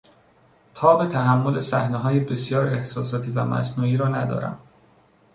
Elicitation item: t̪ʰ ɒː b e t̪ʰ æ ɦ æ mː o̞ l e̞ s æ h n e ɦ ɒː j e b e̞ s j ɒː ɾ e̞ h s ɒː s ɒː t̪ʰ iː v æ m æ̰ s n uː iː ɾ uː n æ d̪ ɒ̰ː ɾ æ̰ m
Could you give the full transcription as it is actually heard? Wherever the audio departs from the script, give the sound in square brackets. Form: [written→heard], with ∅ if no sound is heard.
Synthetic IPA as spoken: t̪ʰ ɒː b e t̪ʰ æ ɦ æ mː o̞ l e̞ s æ h n e ɦ ɒː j e b e̞ s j ɒː ɾ e̞ h s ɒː s ɒː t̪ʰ iː v æ m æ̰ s n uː iː ɾ [uː→ɒː] n æ d̪ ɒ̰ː ɾ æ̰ m